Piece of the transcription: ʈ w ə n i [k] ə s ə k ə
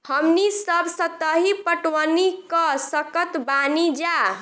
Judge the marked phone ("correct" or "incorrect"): correct